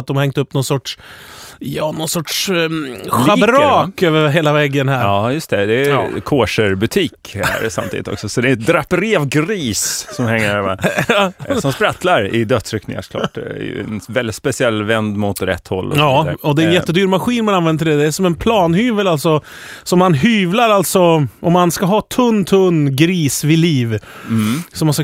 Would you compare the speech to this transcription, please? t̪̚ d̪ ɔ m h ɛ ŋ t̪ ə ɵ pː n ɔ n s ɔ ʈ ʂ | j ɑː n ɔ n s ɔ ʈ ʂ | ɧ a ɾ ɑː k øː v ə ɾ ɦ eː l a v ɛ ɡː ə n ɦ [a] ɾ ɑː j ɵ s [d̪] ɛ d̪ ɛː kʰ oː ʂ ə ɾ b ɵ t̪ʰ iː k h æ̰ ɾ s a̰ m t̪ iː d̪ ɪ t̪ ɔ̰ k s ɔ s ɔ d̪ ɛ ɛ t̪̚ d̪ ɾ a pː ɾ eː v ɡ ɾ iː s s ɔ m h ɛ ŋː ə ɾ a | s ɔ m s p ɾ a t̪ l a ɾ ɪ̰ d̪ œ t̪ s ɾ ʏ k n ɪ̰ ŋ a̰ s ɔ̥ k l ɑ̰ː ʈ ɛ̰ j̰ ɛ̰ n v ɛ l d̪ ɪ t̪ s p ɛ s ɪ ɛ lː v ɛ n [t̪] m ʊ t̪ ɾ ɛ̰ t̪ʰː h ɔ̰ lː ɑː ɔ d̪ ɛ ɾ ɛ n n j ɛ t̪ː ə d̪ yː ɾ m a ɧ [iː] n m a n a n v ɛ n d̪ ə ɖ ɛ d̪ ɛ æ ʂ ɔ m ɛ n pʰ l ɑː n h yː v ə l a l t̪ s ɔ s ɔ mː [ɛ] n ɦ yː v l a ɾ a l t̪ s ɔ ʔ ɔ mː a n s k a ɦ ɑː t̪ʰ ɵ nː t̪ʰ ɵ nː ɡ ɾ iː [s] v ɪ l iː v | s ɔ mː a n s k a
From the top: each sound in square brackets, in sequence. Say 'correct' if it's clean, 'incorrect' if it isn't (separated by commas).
incorrect, incorrect, incorrect, correct, incorrect, correct